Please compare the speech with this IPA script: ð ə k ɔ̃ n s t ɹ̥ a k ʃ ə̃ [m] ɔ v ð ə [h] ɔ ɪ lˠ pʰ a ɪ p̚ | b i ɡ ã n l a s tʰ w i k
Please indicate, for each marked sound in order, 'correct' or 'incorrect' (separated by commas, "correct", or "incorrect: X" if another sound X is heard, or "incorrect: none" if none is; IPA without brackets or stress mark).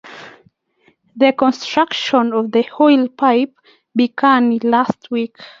incorrect: n, correct